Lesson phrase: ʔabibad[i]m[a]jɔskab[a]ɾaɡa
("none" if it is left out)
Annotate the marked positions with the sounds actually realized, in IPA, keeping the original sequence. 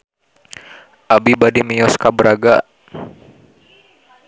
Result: i, i, ə

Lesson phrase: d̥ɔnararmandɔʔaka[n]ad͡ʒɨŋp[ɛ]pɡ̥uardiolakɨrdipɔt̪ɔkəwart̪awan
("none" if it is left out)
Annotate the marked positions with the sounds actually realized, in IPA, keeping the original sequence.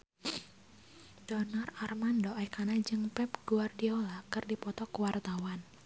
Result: n, ɛ

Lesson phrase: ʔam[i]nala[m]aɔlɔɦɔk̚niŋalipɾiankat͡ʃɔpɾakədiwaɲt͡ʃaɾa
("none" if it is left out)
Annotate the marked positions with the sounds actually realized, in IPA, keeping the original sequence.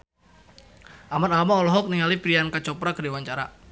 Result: a, m

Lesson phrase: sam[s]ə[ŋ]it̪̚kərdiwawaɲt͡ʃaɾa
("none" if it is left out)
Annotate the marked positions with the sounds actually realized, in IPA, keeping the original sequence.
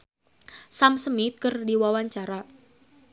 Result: s, m

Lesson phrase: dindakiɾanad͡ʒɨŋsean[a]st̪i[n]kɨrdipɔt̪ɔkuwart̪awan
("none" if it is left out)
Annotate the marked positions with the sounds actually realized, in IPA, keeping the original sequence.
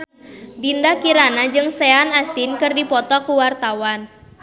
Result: a, n

